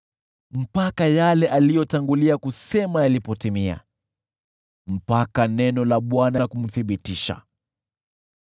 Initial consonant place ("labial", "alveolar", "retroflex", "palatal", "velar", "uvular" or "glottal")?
labial